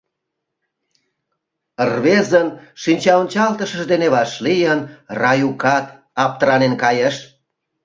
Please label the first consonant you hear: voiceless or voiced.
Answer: voiced